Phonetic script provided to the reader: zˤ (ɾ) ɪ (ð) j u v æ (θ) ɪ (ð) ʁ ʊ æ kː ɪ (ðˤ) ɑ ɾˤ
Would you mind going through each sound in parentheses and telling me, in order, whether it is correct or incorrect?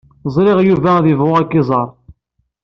correct, incorrect: ʁ, incorrect: ð, incorrect: v, incorrect: zˤ

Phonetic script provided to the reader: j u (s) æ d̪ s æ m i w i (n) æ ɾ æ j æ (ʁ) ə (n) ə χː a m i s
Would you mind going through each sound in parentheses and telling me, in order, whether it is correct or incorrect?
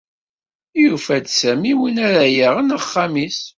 incorrect: f, correct, correct, correct

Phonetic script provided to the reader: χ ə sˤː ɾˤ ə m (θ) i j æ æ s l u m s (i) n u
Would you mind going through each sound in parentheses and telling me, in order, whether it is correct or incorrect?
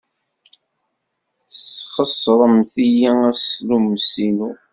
correct, correct

